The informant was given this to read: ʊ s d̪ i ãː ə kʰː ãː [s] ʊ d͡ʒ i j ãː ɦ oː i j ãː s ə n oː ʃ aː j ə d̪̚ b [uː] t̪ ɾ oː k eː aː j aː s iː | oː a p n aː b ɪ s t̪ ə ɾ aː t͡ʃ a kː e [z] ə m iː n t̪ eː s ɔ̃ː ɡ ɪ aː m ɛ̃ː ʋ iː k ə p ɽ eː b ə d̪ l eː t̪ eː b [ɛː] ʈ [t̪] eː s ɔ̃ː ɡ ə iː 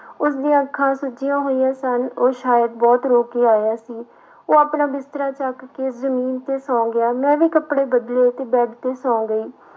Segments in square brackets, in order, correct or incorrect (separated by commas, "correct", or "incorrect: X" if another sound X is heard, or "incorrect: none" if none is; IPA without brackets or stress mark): correct, incorrect: ɔː, correct, correct, correct